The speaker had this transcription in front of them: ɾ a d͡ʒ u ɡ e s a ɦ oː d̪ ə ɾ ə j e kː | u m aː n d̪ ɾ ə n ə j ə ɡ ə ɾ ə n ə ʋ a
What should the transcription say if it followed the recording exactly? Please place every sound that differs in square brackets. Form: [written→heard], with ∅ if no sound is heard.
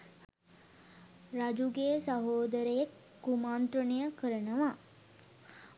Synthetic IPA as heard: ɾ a d͡ʒ u ɡ e s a ɦ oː d̪ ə ɾ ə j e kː | u m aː n [d̪→t̪] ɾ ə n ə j ə [ɡ→k] ə ɾ ə n ə ʋ a